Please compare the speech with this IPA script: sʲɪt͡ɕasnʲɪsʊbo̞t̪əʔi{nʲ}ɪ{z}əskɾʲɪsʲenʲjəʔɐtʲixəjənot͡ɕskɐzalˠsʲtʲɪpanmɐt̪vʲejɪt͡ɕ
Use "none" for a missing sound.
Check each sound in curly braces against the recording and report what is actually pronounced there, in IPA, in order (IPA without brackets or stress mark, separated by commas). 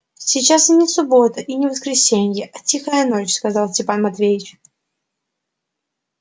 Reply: nʲ, v